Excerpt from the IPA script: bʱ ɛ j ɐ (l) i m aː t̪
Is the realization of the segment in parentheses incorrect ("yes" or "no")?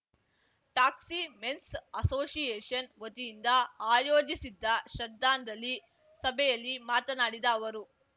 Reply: yes